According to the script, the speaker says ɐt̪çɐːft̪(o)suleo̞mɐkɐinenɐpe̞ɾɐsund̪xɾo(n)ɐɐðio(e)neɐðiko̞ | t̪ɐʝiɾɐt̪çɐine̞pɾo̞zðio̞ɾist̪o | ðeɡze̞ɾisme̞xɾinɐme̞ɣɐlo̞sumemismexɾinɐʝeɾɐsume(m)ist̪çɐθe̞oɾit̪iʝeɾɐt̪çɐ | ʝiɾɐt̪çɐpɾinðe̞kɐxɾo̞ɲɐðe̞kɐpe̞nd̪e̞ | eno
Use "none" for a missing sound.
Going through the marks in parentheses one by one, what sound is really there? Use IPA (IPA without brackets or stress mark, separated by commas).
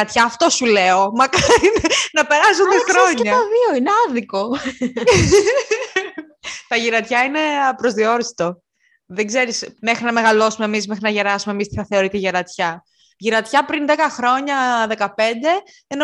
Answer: o, ɲ, i, m